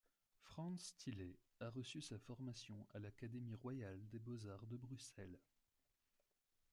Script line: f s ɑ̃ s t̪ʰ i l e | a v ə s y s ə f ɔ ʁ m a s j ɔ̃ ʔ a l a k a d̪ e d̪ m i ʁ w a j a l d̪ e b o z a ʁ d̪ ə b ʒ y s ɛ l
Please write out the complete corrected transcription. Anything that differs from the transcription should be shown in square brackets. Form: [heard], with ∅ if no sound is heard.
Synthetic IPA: f [χ] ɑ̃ s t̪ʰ i l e | a [ʁ] ə s y s [a] f ɔ ʁ m a s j ɔ̃ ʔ a l a k a d̪ e [∅] m i ʁ w a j a l d̪ e b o z a ʁ d̪ ə b [ʁ] y s ɛ l